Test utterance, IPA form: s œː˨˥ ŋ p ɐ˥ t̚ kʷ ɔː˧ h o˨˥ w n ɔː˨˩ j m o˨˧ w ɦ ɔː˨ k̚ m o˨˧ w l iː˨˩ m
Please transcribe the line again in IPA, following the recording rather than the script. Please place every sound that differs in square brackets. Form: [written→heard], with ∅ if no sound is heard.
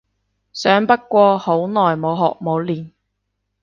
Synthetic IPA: s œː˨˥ ŋ p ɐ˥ t̚ kʷ ɔː˧ h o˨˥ w n ɔː˨˩ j m o˨˧ w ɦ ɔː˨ k̚ m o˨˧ w l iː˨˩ [m→n]

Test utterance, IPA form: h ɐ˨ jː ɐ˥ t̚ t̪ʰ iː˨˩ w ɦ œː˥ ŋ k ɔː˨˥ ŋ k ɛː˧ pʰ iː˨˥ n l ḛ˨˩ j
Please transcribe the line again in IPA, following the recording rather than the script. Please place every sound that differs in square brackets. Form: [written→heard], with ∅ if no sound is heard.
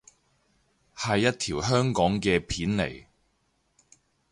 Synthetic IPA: h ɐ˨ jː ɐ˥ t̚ t̪ʰ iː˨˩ w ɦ œː˥ ŋ k ɔː˨˥ ŋ k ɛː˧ pʰ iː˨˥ n l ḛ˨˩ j

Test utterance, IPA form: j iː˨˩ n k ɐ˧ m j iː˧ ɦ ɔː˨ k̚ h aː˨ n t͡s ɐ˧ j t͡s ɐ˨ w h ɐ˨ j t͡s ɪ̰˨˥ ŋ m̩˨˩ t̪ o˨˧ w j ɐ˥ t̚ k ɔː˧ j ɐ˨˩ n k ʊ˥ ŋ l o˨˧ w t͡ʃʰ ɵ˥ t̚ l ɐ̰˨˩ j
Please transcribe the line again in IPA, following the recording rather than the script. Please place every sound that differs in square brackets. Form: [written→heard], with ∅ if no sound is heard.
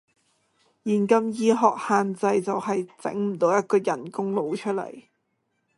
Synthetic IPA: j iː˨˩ n k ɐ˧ m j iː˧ ɦ ɔː˨ k̚ h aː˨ n t͡s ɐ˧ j t͡s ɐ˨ w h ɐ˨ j t͡s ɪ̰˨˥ ŋ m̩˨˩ t̪ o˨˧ w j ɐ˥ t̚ k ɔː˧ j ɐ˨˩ n k ʊ˥ ŋ l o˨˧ w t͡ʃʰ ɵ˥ t̚ l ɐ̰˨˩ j

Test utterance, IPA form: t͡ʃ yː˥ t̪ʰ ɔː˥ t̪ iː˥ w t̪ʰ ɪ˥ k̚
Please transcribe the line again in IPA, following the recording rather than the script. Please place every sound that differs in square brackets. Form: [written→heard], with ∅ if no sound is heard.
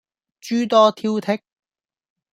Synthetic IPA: t͡ʃ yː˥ [t̪ʰ→t̪] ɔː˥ [t̪→t̪ʰ] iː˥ w t̪ʰ ɪ˥ k̚

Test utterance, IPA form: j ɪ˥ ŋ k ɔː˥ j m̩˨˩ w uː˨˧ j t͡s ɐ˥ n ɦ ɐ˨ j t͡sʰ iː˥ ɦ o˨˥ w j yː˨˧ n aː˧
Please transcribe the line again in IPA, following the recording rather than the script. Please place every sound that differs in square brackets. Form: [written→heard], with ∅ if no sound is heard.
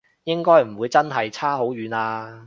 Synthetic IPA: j ɪ˥ ŋ k ɔː˥ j m̩˨˩ w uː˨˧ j t͡s ɐ˥ n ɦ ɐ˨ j t͡sʰ [iː˥→aː˥] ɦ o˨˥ w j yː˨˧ n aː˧

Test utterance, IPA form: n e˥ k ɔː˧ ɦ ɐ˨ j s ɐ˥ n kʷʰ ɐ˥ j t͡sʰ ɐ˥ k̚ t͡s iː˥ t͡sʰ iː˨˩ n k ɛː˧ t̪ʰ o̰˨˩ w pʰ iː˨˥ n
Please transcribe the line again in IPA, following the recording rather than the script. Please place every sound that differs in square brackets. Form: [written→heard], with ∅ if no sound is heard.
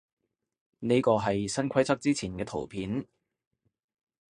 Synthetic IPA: n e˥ k ɔː˧ ɦ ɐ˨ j s ɐ˥ n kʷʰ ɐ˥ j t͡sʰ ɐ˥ k̚ t͡s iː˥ t͡sʰ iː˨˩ n k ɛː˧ t̪ʰ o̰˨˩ w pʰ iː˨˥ n

